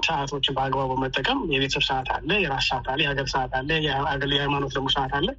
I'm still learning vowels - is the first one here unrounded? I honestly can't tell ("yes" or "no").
yes